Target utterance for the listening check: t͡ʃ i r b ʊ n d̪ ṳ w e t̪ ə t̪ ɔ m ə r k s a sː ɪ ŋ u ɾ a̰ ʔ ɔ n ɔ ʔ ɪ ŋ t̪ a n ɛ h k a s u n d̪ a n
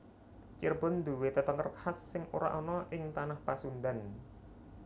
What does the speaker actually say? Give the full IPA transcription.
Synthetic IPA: t͡ʃ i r b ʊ n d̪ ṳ w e t̪ ə t̪ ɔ ŋ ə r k h a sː ɪ ŋ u ɾ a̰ ʔ ɔ n ɔ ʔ ɪ ŋ t̪ a n a h p a s u n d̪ a n